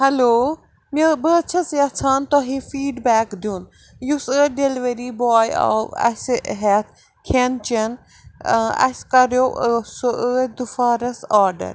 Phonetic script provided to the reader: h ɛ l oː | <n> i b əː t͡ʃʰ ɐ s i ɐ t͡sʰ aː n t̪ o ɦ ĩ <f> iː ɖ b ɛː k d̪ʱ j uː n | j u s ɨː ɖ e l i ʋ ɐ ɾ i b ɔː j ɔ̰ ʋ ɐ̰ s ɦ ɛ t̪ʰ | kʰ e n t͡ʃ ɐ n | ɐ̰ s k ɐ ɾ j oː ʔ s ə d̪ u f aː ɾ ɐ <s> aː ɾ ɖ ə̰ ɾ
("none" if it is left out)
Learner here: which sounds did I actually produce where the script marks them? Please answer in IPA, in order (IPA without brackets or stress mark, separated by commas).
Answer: m, f, s